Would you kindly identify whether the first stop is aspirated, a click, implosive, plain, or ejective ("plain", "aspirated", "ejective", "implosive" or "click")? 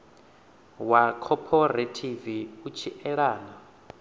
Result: aspirated